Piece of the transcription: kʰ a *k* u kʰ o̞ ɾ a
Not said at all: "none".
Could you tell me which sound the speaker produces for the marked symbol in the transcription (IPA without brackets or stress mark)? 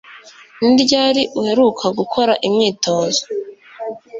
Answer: ɡ